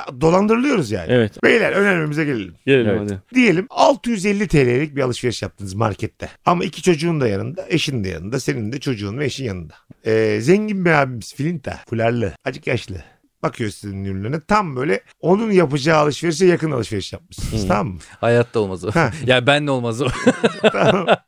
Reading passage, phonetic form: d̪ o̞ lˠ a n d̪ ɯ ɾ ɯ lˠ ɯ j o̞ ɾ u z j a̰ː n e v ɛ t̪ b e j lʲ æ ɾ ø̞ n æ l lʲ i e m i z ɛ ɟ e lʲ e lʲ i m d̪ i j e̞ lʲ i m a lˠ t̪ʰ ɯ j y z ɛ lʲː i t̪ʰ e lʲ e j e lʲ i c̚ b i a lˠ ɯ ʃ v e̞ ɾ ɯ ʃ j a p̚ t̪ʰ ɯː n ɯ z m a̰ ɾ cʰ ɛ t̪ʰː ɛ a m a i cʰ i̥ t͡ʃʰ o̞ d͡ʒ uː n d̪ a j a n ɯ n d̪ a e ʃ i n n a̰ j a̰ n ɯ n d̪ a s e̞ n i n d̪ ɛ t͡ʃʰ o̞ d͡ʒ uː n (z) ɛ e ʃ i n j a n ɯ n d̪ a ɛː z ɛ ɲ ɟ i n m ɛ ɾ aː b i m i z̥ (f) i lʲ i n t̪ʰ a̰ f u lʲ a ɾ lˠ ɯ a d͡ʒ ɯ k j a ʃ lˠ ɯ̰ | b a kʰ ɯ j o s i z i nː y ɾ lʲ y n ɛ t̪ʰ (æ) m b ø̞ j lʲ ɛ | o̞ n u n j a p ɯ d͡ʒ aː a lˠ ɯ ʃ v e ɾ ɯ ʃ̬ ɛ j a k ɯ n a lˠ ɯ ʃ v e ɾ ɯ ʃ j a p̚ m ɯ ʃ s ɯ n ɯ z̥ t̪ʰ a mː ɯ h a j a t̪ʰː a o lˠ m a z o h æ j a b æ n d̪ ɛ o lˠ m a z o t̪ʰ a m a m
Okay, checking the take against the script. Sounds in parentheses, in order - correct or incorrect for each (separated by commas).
incorrect, correct, incorrect